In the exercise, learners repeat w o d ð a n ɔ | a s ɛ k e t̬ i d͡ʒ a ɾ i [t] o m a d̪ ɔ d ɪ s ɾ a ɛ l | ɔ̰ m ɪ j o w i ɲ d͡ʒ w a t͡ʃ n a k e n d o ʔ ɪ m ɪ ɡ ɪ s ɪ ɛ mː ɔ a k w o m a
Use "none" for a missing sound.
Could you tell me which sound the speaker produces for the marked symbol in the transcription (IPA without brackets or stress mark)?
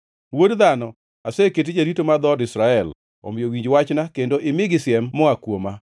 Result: t